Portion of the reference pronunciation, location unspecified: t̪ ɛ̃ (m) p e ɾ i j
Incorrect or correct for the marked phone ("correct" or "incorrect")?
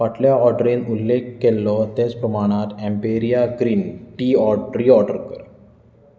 correct